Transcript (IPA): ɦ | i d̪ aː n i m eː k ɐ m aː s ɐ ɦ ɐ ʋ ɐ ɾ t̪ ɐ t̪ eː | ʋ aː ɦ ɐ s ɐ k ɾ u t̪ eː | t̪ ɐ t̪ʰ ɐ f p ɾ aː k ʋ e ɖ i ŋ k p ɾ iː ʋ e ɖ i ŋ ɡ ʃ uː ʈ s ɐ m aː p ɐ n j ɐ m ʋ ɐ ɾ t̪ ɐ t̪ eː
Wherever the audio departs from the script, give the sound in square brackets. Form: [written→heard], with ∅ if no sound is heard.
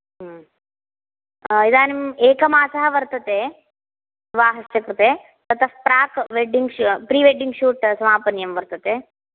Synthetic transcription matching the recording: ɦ | i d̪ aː n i m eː k ɐ m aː s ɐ ɦ ɐ ʋ ɐ ɾ t̪ ɐ t̪ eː | ʋ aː ɦ ɐ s ɐ k ɾ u t̪ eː | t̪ ɐ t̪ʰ ɐ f p ɾ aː k ʋ e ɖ i ŋ [k→ɡ] p ɾ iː ʋ e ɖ i ŋ ɡ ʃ uː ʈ s ɐ m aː p ɐ n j ɐ m ʋ ɐ ɾ t̪ ɐ t̪ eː